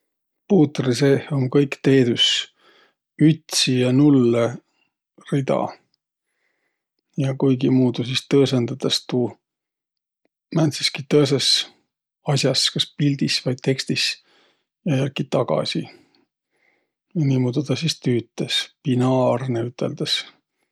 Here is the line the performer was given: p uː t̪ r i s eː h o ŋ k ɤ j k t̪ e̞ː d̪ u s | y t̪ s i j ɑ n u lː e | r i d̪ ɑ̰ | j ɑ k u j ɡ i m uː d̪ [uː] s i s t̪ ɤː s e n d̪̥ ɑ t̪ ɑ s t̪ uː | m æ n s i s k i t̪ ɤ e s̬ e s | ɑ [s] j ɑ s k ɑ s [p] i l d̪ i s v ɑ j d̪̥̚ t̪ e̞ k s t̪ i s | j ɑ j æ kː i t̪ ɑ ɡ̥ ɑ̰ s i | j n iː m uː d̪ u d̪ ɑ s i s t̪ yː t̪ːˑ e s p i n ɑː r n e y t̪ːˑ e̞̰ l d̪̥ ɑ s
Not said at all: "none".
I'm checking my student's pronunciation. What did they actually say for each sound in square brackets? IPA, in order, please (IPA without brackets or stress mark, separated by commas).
u, s, p